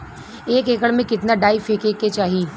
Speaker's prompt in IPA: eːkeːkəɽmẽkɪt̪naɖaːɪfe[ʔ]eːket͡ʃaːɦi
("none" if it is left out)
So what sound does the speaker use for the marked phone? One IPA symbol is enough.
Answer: k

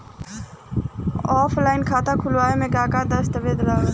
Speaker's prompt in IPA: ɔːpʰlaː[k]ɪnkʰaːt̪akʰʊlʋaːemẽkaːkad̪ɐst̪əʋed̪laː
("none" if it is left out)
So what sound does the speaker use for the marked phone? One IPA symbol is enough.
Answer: none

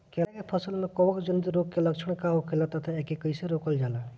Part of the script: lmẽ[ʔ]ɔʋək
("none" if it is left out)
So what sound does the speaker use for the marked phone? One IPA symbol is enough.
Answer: k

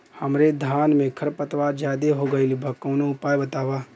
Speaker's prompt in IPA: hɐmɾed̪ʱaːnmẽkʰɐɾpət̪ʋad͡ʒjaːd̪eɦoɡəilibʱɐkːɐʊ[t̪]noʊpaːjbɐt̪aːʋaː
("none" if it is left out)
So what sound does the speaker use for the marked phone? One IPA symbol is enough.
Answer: none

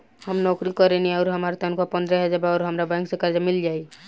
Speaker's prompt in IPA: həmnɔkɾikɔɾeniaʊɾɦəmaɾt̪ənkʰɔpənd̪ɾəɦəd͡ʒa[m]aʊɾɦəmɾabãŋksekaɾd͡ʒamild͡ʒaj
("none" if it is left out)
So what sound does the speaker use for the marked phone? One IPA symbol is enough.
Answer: b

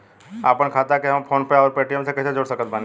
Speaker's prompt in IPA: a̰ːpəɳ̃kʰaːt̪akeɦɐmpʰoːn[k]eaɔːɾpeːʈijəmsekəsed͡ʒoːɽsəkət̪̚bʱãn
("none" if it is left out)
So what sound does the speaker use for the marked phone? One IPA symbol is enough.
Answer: p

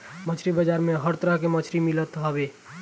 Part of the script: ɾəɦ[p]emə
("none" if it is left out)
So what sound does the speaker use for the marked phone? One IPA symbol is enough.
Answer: k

